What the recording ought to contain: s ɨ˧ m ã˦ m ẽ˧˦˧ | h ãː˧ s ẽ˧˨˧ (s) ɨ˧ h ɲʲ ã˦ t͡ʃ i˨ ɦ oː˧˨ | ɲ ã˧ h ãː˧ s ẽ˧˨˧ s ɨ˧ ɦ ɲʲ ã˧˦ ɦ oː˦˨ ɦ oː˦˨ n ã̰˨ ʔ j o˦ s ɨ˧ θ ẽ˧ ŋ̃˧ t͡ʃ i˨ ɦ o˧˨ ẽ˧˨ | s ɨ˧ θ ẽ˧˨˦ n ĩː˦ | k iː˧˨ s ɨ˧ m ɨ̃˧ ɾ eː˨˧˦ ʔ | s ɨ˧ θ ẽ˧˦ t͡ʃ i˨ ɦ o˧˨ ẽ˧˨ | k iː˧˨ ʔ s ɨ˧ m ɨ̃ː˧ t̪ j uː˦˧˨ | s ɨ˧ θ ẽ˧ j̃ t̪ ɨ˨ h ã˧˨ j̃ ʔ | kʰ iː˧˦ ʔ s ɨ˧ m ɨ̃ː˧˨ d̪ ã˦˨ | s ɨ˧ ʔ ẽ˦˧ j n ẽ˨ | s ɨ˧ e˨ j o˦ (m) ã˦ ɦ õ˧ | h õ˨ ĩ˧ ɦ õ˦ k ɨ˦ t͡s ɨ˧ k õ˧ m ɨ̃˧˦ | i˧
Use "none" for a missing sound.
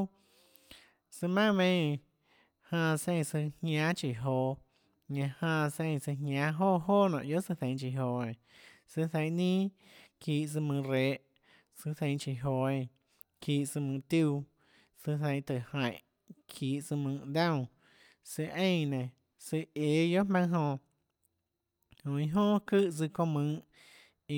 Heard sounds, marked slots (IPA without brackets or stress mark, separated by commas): s, m